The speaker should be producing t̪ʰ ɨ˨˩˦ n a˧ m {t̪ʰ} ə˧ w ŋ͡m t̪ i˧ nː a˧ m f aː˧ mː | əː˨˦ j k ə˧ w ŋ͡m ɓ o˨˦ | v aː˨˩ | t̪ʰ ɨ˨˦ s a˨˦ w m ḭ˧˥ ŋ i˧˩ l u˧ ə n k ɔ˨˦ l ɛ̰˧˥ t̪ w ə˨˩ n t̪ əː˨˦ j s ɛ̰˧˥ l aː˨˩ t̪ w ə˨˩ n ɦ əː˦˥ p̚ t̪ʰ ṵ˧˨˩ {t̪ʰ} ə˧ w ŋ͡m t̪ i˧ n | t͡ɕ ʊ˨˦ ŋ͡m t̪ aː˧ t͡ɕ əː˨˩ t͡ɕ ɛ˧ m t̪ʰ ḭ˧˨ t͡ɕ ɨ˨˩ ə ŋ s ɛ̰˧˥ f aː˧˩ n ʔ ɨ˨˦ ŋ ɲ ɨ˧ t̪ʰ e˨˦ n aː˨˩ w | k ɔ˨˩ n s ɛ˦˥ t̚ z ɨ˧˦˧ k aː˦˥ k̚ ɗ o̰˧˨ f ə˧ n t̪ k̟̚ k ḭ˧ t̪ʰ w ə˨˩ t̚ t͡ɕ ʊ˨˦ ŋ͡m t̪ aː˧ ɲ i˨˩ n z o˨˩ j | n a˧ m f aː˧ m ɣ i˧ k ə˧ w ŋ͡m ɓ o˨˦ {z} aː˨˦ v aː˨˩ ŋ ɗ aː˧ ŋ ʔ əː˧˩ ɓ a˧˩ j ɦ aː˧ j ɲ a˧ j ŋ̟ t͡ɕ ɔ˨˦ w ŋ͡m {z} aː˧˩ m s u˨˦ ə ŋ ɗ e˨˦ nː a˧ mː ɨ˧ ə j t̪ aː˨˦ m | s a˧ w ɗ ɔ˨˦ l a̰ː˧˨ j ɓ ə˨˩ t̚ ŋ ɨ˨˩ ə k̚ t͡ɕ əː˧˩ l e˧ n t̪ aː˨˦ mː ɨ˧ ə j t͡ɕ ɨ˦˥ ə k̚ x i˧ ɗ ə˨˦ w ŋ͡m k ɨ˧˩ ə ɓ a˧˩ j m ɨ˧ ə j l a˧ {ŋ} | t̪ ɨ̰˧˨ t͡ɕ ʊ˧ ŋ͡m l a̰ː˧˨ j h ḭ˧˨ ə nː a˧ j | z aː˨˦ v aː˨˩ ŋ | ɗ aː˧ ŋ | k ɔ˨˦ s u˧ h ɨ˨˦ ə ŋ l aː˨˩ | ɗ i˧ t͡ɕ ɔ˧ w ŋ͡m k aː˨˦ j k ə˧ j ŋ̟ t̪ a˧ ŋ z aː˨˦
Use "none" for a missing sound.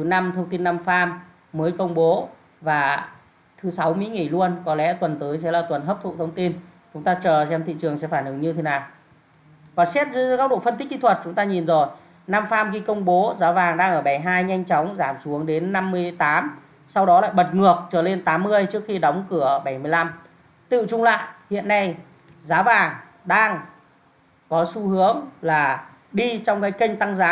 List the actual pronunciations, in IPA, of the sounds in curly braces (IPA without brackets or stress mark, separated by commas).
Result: t̪ʰ, t̪ʰ, z, z, m